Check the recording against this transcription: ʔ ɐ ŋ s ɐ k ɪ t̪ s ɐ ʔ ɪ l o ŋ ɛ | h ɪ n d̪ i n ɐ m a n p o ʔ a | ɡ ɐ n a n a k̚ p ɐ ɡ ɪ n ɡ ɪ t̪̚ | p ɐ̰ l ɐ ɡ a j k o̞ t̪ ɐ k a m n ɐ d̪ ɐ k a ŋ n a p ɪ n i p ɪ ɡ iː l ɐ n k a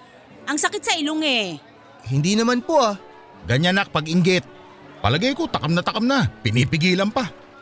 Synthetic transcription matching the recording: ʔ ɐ ŋ s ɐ k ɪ t̪ s ɐ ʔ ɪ l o ŋ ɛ | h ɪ n d̪ i n ɐ m a n p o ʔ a | ɡ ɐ ɲ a n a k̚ p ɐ ɡ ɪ ŋ ɡ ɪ t̪̚ | p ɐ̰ l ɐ ɡ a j k o̞ t̪ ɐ k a m n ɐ t̪ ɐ k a m n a p ɪ n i p ɪ ɡ iː l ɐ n p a